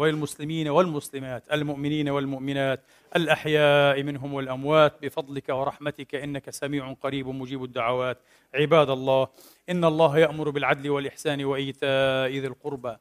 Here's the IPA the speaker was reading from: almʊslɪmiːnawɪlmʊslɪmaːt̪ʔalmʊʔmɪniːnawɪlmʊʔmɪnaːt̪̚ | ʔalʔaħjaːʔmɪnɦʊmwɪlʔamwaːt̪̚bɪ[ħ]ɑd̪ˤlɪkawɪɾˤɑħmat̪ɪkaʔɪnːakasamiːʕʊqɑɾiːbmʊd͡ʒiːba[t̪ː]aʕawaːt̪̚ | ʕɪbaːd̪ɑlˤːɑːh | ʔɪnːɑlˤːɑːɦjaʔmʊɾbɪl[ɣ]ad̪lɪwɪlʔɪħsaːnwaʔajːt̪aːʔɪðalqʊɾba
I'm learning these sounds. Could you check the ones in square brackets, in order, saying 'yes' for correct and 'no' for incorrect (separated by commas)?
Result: no, no, no